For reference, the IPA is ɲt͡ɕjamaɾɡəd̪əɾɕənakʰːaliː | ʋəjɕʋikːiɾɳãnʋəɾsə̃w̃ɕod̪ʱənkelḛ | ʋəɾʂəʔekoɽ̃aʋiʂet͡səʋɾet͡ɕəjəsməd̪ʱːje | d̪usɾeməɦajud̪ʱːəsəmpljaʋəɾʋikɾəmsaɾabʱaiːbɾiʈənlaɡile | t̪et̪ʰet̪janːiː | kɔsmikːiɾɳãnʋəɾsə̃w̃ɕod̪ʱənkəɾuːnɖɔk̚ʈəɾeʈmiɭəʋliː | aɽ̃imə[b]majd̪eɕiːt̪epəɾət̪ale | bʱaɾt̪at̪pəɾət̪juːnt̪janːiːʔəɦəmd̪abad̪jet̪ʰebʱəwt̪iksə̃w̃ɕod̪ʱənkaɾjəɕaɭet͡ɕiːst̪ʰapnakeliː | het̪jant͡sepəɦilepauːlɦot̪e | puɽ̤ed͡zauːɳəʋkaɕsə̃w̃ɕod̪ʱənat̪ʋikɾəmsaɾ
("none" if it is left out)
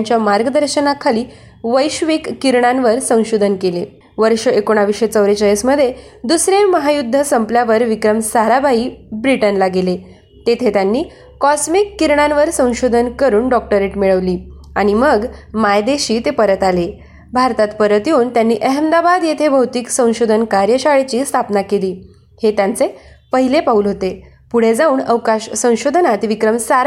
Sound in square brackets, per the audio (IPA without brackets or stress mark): ɡ